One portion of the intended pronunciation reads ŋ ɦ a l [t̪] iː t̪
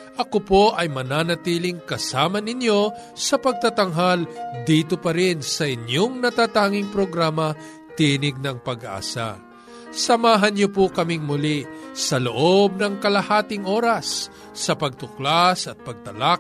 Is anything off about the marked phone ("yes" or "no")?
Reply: yes